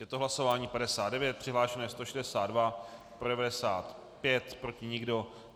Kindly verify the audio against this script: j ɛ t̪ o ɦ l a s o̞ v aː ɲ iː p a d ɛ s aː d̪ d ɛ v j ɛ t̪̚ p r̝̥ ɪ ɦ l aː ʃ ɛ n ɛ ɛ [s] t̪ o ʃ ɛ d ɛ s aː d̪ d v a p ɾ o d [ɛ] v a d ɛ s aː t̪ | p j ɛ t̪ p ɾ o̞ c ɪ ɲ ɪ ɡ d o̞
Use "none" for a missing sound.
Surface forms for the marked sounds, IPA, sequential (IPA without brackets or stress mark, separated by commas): s, ɛ